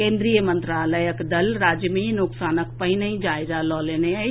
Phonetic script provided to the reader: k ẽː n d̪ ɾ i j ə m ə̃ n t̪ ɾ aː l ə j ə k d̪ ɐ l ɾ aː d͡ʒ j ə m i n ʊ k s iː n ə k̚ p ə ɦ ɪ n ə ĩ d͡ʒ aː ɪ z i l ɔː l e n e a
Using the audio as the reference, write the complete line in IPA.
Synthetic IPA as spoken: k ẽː n d̪ ɾ i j ə m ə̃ n t̪ ɾ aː l ə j ə k d̪ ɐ l ɾ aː d͡ʒ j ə m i n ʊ k s aː n ə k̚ p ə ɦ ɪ n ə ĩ d͡ʒ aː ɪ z a l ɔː l e n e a